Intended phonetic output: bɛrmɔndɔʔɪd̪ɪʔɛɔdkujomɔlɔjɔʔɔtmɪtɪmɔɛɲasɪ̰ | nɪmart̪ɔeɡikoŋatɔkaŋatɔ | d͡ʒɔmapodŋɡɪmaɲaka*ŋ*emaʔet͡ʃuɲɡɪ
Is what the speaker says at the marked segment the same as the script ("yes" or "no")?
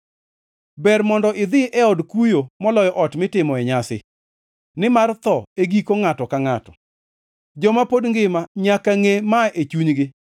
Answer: yes